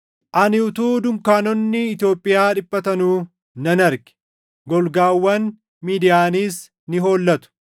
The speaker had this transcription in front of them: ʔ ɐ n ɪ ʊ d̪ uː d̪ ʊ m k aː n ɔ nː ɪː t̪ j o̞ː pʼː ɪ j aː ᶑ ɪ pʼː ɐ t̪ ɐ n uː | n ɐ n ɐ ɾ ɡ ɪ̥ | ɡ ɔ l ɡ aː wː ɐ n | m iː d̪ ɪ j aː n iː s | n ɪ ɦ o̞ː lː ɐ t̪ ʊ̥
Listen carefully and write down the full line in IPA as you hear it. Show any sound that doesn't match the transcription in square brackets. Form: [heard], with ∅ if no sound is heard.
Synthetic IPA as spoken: ʔ ɐ n ɪ ʊ [t̪] uː d̪ ʊ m k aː n ɔ nː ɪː t̪ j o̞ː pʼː ɪ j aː ᶑ ɪ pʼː ɐ t̪ ɐ n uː | n ɐ n ɐ ɾ ɡ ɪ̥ | ɡ ɔ l ɡ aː wː ɐ n | m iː d̪ ɪ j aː n iː s | n ɪ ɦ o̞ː lː ɐ t̪ ʊ̥